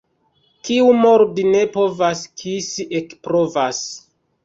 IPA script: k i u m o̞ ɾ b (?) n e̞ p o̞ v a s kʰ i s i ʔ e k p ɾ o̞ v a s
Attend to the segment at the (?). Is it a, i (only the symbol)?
i